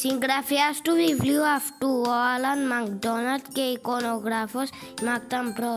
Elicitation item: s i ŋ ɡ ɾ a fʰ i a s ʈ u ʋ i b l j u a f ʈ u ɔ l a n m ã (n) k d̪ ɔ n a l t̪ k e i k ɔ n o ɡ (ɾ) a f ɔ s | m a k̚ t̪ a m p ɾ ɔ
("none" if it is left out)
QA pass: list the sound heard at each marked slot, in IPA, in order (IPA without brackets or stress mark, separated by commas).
ŋ, ɾ